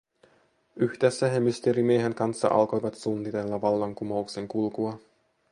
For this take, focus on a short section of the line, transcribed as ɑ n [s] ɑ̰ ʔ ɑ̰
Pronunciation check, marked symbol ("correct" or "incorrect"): incorrect